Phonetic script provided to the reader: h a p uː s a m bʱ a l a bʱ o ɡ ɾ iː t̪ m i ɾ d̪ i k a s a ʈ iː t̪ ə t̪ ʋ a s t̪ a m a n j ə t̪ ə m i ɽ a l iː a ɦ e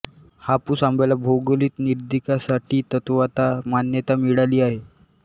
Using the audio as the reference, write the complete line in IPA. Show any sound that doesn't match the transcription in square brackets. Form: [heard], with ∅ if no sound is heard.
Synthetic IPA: h a p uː s a m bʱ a l a bʱ o ɡ [l] iː t̪ [n] i ɾ d̪ i k a s a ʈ iː t̪ ə t̪ ʋ a [∅] t̪ a m a n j ə t̪ [a] m i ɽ a l iː a ɦ e